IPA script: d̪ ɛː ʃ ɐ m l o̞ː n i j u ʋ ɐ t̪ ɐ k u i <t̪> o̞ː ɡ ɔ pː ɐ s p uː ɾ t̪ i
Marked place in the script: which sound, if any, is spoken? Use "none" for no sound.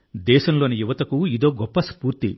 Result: d̪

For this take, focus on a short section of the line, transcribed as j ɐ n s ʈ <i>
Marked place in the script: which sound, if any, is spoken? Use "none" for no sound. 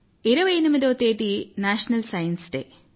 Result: e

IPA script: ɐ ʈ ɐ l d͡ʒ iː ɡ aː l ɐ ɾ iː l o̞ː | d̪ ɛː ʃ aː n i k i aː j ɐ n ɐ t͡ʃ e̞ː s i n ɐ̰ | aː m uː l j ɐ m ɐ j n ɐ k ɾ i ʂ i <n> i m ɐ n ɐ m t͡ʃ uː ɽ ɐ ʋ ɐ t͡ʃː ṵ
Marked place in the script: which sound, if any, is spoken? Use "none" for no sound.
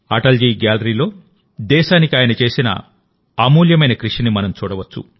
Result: n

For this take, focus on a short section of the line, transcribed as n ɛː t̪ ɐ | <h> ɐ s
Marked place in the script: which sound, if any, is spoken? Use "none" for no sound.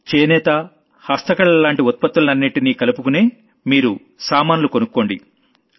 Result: h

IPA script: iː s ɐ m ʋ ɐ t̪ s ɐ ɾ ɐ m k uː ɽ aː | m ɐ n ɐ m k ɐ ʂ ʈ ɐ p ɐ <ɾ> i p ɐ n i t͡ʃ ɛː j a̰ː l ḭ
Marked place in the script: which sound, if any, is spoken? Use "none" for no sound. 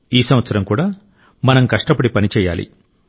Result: ɽ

